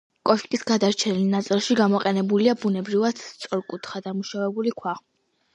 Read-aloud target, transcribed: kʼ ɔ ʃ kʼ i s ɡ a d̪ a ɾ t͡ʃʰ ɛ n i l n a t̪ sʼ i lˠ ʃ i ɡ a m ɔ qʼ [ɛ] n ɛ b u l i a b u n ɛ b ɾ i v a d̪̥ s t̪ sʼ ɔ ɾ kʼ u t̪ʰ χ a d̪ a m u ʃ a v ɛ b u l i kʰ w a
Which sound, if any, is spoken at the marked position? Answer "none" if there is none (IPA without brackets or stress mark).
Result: ɛ